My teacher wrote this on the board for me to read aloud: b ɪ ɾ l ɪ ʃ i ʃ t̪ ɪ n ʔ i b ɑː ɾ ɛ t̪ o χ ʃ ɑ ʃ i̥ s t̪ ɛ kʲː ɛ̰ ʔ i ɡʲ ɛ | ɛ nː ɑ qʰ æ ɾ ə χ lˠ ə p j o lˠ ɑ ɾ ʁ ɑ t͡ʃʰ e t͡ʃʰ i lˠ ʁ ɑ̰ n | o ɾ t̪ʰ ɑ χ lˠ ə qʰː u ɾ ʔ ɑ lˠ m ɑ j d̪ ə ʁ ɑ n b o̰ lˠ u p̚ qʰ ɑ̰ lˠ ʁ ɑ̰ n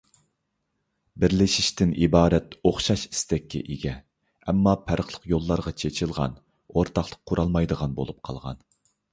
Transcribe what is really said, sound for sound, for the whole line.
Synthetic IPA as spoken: b ɪ ɾ l ɪ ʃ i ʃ t̪ ɪ n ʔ i b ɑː ɾ ɛ t̪ o χ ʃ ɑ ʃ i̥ s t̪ ɛ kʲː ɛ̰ ʔ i ɡʲ ɛ | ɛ mː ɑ pʰ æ ɾ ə χ lˠ ə q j o lˠː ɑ ɾ ʁ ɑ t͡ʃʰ e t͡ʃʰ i lˠ ʁ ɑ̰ n | o ɾ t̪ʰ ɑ χ lˠ ə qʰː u ɾ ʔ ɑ lˠ m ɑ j d̪ ə ʁ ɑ n b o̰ lˠ u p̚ qʰ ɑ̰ lˠ ʁ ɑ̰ n

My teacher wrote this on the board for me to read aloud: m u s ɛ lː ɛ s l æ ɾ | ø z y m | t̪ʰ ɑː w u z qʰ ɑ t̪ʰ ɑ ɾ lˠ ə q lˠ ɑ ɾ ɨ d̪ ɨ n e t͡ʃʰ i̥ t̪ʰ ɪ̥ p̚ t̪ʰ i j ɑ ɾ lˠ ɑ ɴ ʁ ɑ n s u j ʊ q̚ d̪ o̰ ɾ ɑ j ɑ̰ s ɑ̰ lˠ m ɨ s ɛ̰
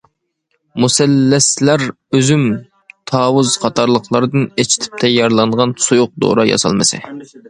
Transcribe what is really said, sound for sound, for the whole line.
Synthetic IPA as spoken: m u s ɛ lː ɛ s l æ ɾ | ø z y m | t̪ʰ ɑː w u z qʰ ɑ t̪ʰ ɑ ɾ lˠ ə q lˠ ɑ ɾ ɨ d̪ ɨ n e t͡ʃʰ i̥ t̪ʰ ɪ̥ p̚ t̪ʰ ɛ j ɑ ɾ lˠ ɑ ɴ ʁ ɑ n s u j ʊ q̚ d̪ o̰ ɾ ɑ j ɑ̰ s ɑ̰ lˠ m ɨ s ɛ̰

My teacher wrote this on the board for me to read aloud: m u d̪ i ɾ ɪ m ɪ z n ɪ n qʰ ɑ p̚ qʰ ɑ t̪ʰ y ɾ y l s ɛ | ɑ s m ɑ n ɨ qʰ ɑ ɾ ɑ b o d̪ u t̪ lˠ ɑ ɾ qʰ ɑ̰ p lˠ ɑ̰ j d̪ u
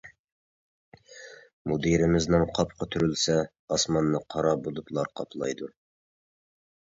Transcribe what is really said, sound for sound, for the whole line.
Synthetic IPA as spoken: m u d̪ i ɾ ɪ m ɪ z n ɪ ŋ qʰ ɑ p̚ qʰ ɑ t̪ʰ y ɾ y l s ɛ | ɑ s m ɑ nː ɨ qʰ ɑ ɾ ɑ b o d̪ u t̪ lˠ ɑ ɾ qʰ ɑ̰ p lˠ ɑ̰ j d̪ u

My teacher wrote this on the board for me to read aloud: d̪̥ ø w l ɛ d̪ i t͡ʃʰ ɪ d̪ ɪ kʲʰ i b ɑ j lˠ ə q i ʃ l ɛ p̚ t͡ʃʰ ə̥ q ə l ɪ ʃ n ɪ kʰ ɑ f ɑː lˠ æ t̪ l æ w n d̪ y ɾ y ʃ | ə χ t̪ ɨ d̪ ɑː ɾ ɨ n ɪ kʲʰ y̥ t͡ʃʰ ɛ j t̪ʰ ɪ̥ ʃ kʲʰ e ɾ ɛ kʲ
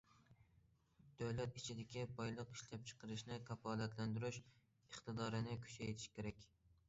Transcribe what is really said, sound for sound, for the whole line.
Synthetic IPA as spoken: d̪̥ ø w l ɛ t̪ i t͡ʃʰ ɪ d̪ ɪ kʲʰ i b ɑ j lˠ ə q i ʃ l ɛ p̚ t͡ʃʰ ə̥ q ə ɾ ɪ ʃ n ɪ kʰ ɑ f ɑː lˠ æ t̪ l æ n d̪ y ɾ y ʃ | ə χ t̪ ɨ d̪ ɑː ɾ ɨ n ɪ kʲʰ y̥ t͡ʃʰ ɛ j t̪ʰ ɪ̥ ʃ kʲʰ e ɾ ɛ kʲ

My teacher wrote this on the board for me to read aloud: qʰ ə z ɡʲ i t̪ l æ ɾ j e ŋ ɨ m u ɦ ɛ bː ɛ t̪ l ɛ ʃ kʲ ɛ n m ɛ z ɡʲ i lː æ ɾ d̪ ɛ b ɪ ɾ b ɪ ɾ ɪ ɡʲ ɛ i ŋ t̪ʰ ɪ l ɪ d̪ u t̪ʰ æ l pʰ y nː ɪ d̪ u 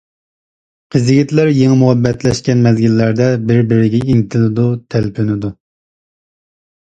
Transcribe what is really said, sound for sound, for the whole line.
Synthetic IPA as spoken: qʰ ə z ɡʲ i t̪ l æ ɾ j e ŋ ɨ m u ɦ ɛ bː ɛ t̪ l ɛ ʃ kʲ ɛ n m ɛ z ɡʲ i lː æ ɾ d̪ ɛ b ɪ ɾ b ɪ ɾ ɪ ɡʲ ɛ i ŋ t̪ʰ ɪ l ɪ d̪ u t̪ʰ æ l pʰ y n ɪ d̪ u

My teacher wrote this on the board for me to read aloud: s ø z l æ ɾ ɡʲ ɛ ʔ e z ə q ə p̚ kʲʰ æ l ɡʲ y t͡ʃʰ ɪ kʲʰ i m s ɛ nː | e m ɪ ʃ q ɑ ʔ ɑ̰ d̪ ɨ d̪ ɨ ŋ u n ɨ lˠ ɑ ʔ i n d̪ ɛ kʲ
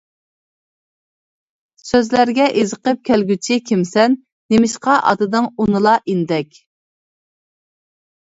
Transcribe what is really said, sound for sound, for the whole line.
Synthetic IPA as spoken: s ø z l æ ɾ ɡʲ ɛ ʔ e z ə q ə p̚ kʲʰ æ l ɡʲ y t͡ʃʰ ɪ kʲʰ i m s ɛ nː | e m ɪ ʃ q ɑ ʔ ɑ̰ d̪ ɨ d̪ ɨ ŋ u n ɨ lˠ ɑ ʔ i n d̪ ɛ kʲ

